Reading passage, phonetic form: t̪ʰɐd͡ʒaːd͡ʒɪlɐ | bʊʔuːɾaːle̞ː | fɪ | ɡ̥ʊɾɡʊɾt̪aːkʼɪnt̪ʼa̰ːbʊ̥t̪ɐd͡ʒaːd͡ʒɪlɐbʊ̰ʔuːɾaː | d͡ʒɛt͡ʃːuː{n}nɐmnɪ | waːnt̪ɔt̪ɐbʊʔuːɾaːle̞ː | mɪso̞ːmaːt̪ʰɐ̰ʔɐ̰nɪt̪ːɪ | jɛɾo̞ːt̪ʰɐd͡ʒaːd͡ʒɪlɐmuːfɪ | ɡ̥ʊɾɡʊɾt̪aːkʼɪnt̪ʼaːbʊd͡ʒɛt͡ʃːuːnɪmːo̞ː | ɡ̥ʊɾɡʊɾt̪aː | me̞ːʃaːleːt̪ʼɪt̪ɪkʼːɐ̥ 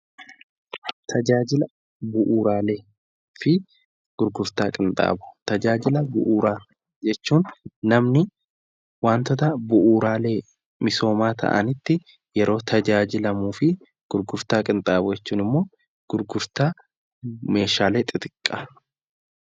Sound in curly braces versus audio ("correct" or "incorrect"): correct